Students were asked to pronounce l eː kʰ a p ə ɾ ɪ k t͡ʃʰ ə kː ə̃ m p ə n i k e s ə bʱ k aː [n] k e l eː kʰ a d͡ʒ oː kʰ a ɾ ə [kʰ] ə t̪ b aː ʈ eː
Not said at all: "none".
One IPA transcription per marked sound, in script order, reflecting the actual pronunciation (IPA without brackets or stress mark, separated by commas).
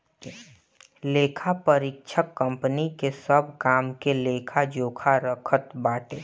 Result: m, kʰ